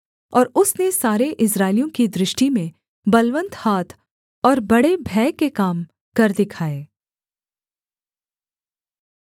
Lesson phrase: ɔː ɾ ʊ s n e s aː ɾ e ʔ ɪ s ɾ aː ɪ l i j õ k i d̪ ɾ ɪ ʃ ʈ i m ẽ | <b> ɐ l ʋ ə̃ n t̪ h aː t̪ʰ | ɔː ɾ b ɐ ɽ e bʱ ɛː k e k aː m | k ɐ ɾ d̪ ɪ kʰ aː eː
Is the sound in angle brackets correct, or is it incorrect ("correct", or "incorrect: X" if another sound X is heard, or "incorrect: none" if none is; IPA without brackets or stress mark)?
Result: correct